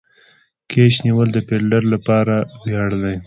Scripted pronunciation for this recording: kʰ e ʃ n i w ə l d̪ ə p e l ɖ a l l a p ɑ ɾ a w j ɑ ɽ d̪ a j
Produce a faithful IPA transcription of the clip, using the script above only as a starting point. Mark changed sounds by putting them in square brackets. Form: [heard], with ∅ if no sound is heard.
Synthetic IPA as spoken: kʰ e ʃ n i w ə l d̪ ə p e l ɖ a [ɾ] l a p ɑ ɾ a w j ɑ ɽ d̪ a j